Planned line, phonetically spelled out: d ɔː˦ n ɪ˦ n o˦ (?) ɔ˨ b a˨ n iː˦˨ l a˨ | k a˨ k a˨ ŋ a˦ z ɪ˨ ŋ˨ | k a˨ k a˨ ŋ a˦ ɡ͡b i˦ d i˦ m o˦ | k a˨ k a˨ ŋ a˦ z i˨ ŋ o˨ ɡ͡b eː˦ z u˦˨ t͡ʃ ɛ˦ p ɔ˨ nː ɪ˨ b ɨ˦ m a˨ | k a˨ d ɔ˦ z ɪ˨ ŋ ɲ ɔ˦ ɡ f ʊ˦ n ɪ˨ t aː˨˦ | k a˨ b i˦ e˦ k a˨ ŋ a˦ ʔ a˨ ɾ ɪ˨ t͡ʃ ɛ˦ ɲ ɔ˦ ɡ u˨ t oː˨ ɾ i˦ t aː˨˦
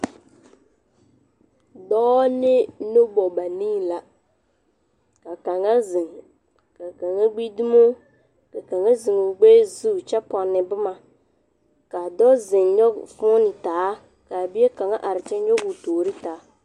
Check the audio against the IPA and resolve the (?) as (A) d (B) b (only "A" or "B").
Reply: B